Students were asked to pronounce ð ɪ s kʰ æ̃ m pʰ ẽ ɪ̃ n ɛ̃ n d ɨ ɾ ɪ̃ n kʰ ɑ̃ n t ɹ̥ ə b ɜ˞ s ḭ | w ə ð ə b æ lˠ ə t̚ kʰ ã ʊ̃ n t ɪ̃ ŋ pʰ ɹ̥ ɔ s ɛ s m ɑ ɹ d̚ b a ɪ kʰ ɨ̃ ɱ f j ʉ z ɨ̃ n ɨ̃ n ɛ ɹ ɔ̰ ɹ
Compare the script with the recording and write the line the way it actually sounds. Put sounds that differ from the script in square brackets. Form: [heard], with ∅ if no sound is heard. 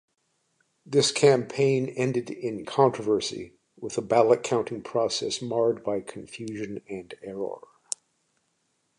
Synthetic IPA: ð ɪ s kʰ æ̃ m pʰ ẽ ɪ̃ n ɛ̃ n d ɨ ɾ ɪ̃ n kʰ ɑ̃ n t ɹ̥ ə [v] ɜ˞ s ḭ | w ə ð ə b æ lˠ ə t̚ kʰ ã ʊ̃ n t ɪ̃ ŋ pʰ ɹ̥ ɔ s ɛ s m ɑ ɹ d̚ b a ɪ kʰ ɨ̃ ɱ f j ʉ [ʒ] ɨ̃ n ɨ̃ n ɛ ɹ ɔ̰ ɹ